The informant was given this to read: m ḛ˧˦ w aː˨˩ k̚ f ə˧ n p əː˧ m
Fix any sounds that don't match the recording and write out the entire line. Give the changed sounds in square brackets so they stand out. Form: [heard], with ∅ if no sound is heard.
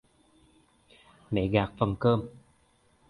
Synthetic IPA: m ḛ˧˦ [ɣ] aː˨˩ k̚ f [ə˨˩] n [k] əː˧ m